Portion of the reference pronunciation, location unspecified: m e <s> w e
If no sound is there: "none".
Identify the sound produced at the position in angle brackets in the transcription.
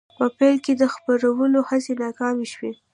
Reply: ʃ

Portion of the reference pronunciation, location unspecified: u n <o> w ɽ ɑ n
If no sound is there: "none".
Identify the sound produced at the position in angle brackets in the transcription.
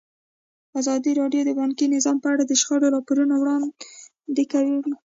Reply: o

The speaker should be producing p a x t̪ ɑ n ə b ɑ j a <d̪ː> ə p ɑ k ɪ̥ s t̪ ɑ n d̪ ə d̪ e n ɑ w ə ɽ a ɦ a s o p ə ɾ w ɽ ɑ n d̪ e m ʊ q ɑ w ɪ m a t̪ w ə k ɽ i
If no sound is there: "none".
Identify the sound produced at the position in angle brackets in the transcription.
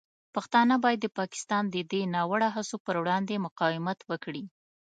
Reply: d̪ː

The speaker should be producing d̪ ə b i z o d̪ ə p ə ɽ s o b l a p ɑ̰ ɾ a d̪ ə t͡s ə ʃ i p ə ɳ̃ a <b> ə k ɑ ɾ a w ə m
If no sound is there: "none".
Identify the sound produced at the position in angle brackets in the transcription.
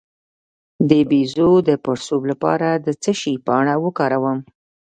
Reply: w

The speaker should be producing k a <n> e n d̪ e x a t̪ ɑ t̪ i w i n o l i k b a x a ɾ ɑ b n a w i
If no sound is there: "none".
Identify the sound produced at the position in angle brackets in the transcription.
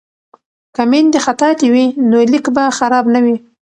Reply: m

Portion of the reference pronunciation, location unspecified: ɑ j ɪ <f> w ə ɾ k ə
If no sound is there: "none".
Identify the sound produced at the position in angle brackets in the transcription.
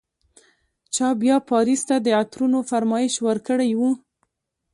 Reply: ʃ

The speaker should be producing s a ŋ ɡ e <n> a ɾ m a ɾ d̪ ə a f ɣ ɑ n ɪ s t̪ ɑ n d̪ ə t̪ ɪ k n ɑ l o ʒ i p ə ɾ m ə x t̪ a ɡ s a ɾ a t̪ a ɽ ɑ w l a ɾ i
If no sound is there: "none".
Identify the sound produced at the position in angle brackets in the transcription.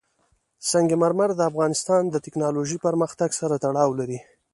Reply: m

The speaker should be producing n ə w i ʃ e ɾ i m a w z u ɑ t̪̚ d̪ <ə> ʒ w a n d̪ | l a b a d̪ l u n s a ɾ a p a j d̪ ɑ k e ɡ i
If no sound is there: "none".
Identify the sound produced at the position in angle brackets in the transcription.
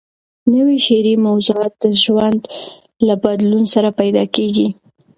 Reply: ə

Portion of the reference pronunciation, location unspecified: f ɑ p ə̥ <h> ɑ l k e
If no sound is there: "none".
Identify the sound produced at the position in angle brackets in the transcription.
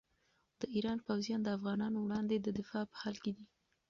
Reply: h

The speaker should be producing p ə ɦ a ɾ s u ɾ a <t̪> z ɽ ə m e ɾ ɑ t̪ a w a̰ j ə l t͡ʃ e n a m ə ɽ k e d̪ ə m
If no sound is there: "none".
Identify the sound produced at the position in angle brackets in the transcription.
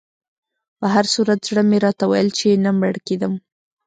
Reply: t̪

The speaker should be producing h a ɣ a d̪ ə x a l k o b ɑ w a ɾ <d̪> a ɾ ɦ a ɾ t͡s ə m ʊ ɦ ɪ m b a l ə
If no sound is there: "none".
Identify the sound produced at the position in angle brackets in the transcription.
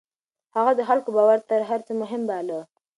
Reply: t̪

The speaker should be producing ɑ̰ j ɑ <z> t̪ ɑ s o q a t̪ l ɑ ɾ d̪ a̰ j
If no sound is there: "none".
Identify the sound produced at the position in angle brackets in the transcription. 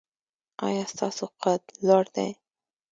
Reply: s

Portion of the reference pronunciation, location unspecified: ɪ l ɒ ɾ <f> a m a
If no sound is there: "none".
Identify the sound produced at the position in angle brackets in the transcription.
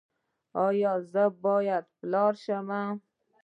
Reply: ʃ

